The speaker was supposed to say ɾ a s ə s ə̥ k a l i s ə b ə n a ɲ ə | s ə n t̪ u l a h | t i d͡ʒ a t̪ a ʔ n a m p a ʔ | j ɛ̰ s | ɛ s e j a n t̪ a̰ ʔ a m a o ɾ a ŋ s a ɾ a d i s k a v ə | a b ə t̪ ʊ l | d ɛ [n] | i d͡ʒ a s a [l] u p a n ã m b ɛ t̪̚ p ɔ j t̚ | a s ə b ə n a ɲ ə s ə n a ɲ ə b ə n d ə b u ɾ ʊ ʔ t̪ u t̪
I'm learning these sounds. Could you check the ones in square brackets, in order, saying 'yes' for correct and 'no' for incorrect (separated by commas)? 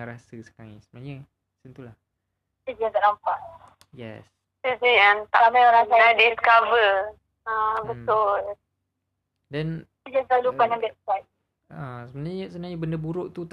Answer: yes, yes